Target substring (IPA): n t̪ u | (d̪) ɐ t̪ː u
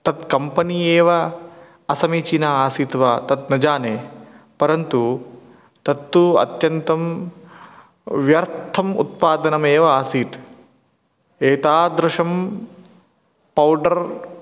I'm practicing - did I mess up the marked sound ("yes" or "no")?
yes